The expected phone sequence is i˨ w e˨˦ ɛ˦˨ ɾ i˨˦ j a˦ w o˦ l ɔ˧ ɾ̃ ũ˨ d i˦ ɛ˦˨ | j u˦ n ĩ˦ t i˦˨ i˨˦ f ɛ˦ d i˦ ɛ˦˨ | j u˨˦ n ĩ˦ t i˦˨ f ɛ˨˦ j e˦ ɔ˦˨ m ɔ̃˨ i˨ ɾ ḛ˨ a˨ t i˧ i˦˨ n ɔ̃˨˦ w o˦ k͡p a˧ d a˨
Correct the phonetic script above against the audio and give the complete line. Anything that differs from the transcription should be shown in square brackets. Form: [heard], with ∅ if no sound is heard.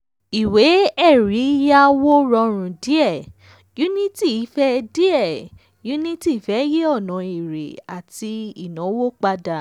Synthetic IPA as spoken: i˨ w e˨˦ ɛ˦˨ ɾ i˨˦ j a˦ w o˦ [ɾ] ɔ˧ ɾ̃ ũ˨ d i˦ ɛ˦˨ | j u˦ n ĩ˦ t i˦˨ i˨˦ f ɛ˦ d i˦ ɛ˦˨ | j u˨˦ n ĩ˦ t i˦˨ f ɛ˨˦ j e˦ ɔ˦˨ [n] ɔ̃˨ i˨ ɾ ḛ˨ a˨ t i˧ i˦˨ n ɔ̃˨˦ w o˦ k͡p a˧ d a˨